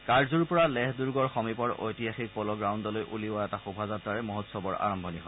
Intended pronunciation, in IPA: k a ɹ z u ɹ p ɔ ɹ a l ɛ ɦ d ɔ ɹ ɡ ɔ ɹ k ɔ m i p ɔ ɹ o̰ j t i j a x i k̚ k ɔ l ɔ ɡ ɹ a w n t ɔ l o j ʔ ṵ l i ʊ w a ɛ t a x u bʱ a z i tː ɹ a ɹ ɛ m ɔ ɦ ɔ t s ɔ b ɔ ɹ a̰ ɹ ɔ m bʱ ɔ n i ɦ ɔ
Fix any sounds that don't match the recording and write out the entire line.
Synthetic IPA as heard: k a ɹ z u ɹ p ɔ ɹ a l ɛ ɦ d u ɹ ɡ ɔ ɹ x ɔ m i p ɔ ɹ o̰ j t i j a x i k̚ p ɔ l ɔ ɡ ɹ a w n d ɔ l o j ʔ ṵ l i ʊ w a ɛ t a x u bʱ a z a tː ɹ a ɹ ɛ m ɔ ɦ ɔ t s ɔ b ɔ ɹ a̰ ɹ ɔ m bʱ ɔ n i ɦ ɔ